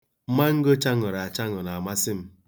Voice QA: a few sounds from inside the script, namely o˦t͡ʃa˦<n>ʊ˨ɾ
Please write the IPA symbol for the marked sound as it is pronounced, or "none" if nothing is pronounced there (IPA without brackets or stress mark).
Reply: ŋ